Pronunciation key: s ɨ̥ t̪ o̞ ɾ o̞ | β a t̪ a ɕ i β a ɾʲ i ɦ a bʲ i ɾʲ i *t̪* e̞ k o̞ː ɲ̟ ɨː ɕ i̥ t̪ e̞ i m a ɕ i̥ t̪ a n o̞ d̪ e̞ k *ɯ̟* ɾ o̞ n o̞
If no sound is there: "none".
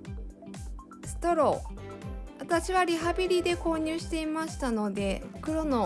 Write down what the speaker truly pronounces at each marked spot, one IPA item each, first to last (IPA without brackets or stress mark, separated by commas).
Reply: d̪, ɯ̟